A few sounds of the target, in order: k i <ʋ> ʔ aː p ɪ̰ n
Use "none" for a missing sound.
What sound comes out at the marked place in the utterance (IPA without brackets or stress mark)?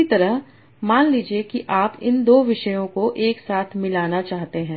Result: none